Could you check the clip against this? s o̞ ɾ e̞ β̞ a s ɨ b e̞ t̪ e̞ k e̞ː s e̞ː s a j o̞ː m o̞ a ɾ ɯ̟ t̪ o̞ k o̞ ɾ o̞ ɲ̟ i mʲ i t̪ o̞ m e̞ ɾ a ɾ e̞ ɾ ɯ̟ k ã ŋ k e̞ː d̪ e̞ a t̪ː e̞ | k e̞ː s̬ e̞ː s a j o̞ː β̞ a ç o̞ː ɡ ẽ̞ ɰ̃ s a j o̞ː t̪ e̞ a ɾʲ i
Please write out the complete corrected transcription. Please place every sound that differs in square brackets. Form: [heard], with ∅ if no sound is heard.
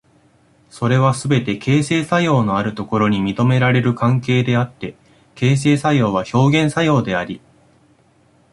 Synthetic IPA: s o̞ ɾ e̞ β̞ a s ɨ b e̞ t̪ e̞ k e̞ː s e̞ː s a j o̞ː [n] o̞ a ɾ ɯ̟ t̪ o̞ k o̞ ɾ o̞ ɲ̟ i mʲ i t̪ o̞ m e̞ ɾ a ɾ e̞ ɾ ɯ̟ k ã ŋ k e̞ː d̪ e̞ a t̪ː e̞ | k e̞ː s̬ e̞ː s a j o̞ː β̞ a ç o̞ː ɡ ẽ̞ ɰ̃ s a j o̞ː [d̪] e̞ a ɾʲ i